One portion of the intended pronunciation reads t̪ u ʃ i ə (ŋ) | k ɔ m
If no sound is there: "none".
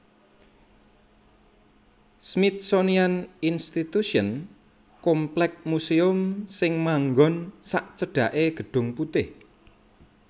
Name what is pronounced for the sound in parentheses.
n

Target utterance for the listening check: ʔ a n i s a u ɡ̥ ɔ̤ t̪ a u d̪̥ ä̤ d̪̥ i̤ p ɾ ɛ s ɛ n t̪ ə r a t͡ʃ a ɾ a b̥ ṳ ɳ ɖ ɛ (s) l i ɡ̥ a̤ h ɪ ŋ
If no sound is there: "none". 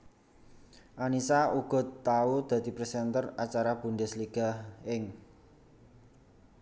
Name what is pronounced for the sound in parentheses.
s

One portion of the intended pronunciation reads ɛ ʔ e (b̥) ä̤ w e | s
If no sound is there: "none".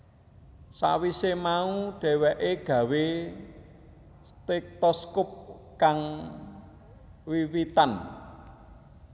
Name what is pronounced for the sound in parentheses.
ɡ̥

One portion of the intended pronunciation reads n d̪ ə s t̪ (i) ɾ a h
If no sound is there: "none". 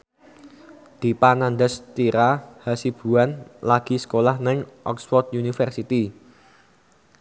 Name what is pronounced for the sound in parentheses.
i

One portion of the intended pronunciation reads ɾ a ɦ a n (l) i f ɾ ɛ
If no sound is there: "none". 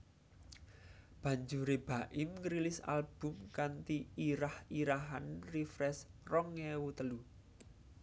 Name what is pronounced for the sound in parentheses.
r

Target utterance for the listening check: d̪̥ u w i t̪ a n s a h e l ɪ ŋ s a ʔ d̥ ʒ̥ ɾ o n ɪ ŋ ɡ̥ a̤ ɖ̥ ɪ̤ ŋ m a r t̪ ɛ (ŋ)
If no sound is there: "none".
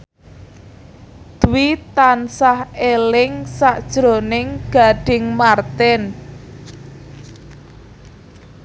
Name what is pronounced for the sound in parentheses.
n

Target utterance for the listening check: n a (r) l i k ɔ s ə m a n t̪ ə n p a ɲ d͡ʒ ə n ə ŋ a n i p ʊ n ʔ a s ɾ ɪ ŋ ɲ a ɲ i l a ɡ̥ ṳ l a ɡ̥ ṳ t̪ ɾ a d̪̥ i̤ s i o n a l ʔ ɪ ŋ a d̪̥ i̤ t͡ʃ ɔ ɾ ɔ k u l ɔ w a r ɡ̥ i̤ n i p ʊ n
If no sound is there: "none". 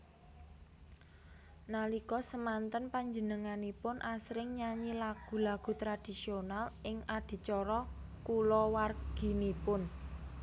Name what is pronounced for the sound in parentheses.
none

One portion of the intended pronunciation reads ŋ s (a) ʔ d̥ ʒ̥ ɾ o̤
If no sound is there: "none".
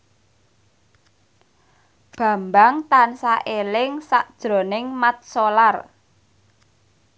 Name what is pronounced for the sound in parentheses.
a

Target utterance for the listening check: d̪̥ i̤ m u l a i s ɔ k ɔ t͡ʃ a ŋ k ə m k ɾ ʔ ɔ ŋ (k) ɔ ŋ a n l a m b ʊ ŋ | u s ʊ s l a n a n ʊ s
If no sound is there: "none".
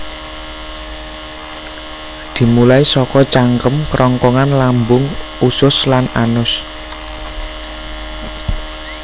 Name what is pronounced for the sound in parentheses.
k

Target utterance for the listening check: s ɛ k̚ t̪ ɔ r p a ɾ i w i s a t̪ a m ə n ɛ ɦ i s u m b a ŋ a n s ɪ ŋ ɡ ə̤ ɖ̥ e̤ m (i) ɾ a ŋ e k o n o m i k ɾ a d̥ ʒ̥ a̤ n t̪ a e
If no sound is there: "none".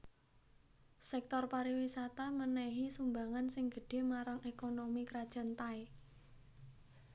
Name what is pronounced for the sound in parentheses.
a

